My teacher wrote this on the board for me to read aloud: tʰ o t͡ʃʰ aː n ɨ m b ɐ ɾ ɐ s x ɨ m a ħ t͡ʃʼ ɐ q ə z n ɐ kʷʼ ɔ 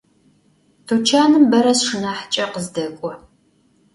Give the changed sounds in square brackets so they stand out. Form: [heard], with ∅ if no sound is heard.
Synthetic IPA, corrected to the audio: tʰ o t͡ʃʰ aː n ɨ m b ɐ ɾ ɐ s [ʂ] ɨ [n] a ħ t͡ʃʼ ɐ q ə z [d] ɐ kʷʼ ɔ